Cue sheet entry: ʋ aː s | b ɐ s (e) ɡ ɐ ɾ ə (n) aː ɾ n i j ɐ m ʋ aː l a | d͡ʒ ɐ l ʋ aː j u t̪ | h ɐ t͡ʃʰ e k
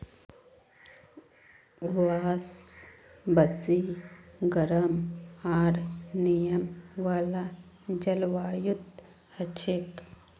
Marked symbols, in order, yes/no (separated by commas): no, no